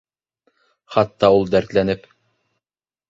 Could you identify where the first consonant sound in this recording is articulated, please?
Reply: uvular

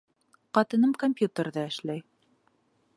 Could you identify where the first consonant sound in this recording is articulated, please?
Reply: uvular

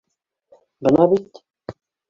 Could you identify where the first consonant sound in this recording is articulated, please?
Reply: labial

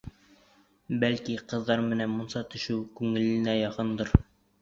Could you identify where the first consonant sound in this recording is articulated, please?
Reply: labial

